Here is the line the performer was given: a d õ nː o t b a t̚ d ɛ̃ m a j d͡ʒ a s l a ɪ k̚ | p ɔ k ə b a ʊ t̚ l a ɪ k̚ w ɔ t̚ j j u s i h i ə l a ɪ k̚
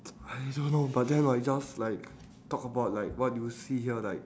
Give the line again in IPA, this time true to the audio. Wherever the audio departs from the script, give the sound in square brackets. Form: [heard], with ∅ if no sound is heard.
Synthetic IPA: a d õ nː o [∅] b a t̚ d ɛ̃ [n] a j d͡ʒ a s l a ɪ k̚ | [t] ɔ k ə b a ʊ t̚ l a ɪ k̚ w ɔ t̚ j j u s i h i ə l a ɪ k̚